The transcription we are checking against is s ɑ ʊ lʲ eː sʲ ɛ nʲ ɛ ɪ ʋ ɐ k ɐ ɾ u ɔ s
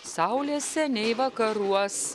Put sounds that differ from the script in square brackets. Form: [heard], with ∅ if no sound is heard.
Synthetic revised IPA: s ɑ ʊ lʲ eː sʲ ɛ nʲ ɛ ɪ ʋ ɐ k ɐ ɾ u ɔ s